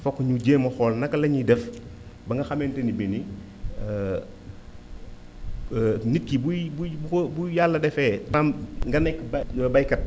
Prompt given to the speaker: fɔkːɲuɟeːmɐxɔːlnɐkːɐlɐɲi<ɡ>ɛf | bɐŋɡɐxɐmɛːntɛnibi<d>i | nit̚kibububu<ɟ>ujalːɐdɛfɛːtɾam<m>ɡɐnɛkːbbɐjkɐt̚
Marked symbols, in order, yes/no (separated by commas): no, no, no, no